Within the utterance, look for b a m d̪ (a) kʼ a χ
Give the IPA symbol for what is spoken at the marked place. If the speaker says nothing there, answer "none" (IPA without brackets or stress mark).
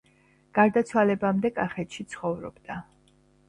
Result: ɛ